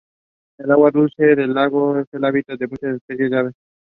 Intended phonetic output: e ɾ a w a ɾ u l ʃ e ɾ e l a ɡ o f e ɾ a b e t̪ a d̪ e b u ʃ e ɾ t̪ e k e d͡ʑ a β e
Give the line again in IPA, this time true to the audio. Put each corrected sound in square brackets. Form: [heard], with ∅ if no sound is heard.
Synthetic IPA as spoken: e [l] a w a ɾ u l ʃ e ɾ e l a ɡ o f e [l] a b [i] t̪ a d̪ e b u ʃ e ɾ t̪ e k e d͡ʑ a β e